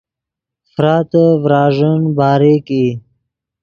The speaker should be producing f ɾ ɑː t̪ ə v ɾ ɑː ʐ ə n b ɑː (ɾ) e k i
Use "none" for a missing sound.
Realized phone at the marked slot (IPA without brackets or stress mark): ɾ